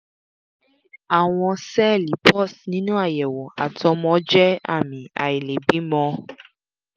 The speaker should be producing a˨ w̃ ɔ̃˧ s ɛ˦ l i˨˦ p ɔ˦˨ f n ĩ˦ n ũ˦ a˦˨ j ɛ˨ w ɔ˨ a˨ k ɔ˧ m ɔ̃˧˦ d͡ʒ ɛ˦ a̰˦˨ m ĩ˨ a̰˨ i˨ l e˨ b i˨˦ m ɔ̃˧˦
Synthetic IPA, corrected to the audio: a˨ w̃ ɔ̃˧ s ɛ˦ l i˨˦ p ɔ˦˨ s n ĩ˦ n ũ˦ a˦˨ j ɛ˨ w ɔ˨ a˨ t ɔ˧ m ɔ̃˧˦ d͡ʒ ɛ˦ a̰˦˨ m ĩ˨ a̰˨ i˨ l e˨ b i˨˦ m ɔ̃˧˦

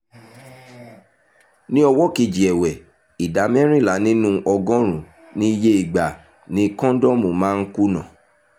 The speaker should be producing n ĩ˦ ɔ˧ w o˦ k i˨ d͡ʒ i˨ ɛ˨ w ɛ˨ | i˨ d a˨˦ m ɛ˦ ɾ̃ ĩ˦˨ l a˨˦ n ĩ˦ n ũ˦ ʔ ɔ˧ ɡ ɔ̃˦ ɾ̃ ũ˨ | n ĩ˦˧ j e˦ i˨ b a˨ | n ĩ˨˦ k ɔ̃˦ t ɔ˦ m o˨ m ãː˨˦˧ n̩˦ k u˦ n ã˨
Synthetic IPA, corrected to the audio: n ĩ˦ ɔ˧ w ɔ˦ k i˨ d͡ʒ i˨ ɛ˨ w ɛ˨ | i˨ d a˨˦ m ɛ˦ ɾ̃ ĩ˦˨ l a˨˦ n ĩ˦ n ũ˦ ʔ ɔ˧ ɡ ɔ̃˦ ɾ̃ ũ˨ | n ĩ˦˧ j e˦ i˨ ɡ͡b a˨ | n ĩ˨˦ k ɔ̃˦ d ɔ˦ m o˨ m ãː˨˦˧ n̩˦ k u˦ n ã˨

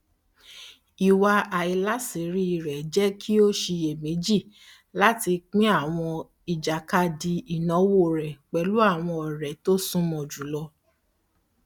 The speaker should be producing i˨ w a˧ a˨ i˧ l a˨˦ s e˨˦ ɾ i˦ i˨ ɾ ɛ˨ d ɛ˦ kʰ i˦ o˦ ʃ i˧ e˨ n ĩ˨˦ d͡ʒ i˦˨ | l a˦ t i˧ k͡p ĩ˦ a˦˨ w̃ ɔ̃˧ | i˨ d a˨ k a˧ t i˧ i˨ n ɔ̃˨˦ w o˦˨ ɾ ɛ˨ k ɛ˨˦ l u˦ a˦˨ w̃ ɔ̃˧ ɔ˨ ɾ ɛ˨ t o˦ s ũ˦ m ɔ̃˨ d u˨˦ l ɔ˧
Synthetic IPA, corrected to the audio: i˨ w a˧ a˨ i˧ l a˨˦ s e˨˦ ɾ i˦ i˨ ɾ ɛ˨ d͡ʒ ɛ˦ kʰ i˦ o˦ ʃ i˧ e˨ m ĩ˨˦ d͡ʒ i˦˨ | l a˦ t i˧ k͡p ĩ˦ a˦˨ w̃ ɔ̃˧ | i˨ d͡ʒ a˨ k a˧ d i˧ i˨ n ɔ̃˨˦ w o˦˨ ɾ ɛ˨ k͡p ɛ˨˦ l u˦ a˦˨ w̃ ɔ̃˧ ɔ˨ ɾ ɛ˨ t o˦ s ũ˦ m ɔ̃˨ d͡ʒ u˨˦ l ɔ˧

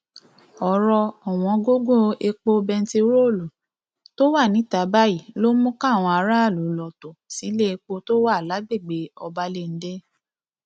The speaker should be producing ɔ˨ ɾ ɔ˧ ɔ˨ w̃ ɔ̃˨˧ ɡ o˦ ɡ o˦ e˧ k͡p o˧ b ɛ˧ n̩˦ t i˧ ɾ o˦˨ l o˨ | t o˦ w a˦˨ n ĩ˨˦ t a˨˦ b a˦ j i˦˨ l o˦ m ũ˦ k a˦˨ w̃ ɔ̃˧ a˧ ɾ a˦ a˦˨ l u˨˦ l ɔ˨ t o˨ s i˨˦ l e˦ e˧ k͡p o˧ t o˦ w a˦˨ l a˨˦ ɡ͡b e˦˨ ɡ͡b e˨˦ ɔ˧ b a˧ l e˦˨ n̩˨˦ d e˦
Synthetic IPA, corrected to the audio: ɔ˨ ɾ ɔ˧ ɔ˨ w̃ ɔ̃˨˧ ɡ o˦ ɡ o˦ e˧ k͡p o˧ b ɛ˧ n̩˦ t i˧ ɾ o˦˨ l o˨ | t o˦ w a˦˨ n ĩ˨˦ t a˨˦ b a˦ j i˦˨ l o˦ m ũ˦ k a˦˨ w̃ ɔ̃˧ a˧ ɾ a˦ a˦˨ l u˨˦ l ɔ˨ t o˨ s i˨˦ l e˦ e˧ k͡p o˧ t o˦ w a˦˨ l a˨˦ ɡ͡b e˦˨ ɡ͡b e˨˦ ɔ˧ b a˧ l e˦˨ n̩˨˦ d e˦

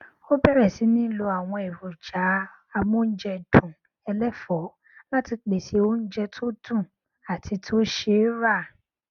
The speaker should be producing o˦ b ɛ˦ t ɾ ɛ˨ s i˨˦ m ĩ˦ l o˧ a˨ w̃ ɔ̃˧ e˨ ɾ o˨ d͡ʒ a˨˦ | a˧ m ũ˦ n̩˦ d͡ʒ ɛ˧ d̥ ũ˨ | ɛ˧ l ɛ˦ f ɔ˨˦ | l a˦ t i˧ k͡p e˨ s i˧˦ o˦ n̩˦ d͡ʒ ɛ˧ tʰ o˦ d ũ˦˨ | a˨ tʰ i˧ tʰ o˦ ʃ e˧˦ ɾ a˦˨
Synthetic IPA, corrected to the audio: o˦ b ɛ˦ ɾ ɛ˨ s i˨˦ n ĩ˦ l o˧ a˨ w̃ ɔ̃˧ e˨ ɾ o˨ d͡ʒ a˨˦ | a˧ m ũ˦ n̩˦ d͡ʒ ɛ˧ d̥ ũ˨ | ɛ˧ l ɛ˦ f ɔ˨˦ | l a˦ t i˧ k͡p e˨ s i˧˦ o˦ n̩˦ d͡ʒ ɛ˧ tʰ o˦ d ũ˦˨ | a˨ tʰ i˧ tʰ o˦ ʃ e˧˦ ɾ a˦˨

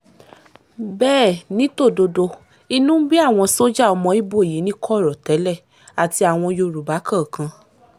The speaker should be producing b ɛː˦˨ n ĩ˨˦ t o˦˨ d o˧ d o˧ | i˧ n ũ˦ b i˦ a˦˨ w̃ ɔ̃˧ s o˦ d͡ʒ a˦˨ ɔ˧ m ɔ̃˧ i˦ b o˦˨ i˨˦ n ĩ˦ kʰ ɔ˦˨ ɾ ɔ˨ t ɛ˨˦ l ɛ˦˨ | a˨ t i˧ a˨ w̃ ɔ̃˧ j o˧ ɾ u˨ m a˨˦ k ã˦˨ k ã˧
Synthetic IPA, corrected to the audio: b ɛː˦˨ n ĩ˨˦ t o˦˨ d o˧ d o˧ | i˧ n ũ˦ b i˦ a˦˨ w̃ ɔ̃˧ s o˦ d͡ʒ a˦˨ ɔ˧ m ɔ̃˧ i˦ b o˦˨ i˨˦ n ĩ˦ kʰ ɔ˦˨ ɾ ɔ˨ t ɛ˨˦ l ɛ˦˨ | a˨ t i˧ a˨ w̃ ɔ̃˧ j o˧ ɾ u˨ b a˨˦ k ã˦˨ k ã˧

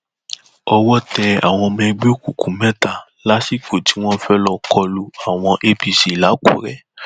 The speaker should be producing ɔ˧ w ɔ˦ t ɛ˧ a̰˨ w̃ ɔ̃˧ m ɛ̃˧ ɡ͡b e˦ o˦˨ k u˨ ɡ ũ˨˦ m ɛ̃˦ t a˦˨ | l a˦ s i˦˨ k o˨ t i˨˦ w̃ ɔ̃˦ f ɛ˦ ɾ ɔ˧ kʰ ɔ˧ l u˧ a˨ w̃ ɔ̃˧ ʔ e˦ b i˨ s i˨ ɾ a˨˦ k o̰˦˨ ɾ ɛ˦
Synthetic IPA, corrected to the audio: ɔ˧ w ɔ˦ t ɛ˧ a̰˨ w̃ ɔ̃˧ m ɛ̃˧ ɡ͡b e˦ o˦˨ k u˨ k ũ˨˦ m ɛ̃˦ t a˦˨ | l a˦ s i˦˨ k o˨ t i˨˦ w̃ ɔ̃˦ f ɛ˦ l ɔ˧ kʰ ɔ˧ l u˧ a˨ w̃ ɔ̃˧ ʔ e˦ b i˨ s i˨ l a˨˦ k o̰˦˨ ɾ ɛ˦

